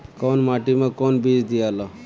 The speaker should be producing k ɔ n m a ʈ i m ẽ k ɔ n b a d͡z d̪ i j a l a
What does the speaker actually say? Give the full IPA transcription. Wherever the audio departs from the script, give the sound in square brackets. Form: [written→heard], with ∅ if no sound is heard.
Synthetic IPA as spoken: k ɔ n m a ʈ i m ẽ k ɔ n b [a→i] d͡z d̪ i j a l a